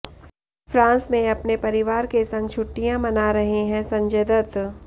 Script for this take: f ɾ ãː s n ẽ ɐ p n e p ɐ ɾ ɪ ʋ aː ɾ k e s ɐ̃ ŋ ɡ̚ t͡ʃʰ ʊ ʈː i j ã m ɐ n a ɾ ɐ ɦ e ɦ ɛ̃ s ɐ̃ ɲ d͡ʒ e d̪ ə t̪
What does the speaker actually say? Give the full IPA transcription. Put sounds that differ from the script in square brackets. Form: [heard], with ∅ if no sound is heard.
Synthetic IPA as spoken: f ɾ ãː s [m] ẽ ɐ p n e p ɐ ɾ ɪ ʋ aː ɾ k e s ɐ̃ ŋ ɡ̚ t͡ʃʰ ʊ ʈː i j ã m ɐ n a ɾ ɐ ɦ e ɦ ɛ̃ s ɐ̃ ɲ d͡ʒ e d̪ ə t̪